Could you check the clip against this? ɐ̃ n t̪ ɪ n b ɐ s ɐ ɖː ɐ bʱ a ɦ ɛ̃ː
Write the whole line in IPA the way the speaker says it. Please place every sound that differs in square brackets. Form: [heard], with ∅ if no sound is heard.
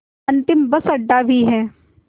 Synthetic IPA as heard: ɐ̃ n t̪ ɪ [m] b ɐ s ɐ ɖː [a] bʱ [i] ɦ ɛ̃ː